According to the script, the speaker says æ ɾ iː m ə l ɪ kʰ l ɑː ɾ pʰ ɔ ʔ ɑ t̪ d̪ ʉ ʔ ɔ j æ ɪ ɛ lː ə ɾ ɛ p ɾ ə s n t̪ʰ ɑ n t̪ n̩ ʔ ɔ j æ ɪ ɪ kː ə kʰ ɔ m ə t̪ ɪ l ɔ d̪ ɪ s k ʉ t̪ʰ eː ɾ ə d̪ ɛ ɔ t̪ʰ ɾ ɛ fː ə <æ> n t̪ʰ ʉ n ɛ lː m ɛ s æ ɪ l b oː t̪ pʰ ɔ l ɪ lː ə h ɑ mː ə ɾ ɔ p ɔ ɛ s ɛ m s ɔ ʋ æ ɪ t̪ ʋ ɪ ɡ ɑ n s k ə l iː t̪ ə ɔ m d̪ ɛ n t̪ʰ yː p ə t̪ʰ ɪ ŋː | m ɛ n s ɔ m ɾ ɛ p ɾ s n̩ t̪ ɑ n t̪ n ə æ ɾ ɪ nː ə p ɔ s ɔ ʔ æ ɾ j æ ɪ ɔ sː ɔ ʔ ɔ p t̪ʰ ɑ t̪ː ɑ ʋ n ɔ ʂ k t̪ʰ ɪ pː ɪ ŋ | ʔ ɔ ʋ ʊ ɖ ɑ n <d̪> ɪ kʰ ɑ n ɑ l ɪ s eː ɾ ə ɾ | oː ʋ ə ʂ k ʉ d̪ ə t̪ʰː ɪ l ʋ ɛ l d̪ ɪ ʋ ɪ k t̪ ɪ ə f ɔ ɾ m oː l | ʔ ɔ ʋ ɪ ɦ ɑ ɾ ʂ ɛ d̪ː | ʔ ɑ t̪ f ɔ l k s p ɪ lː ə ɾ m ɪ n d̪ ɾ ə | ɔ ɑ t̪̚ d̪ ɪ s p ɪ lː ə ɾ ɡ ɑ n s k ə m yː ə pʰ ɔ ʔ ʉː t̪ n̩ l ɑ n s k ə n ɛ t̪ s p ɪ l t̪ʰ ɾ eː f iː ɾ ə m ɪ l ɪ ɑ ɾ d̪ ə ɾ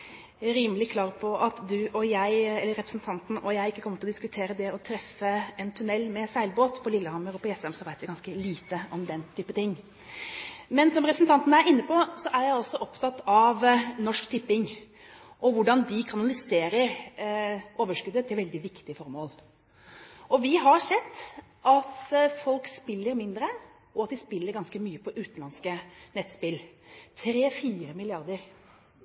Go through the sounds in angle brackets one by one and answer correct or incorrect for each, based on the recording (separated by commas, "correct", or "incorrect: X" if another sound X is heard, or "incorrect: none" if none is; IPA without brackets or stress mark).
incorrect: ɛ, correct